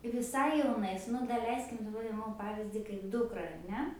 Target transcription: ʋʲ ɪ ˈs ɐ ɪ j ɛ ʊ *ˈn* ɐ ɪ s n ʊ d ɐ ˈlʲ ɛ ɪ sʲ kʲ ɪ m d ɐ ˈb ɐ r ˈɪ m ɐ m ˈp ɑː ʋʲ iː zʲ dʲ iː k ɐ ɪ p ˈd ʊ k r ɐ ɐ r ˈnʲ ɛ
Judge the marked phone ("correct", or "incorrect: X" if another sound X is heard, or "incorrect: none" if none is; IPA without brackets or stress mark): correct